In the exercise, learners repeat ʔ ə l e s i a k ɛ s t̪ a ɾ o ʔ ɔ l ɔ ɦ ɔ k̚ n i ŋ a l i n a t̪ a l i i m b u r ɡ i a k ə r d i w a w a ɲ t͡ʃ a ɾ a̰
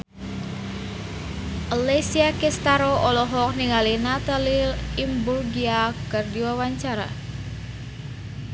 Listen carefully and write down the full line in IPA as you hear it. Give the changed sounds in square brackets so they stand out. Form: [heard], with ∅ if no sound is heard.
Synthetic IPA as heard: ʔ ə l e s i a k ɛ s t̪ a ɾ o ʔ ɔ l ɔ ɦ ɔ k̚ n i ŋ a l i n a t̪ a l i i m b u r ɡ i a k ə r d i w a w a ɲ t͡ʃ a ɾ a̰